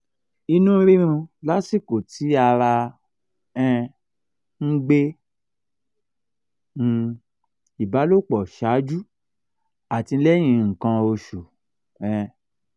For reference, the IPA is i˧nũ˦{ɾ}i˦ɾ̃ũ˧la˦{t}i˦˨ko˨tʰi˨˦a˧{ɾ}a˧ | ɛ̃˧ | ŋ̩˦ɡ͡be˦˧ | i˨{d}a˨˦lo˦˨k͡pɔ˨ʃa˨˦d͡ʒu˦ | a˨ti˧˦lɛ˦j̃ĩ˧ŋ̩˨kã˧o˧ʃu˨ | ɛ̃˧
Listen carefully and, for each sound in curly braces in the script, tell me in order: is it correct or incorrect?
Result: correct, incorrect: s, correct, incorrect: b

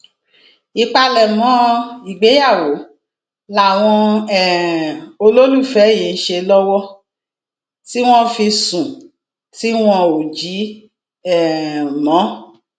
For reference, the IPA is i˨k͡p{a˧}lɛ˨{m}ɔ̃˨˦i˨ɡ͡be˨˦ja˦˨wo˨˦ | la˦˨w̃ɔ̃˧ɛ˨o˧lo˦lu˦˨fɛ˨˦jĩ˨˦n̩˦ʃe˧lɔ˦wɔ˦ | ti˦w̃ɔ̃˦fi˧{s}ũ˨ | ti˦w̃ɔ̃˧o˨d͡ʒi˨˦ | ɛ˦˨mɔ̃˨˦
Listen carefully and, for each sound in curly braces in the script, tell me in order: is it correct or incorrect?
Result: correct, correct, correct

